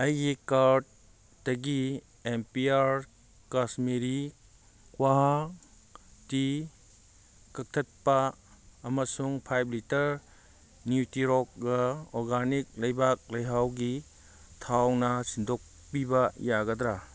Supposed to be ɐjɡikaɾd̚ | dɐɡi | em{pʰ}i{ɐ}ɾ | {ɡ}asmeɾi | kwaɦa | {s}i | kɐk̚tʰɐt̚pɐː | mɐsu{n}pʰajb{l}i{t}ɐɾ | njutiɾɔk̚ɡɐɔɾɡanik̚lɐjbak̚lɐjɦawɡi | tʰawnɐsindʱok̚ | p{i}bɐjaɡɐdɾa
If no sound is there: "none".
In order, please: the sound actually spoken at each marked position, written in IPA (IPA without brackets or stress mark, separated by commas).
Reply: p, a, k, t, ŋ, l, t, i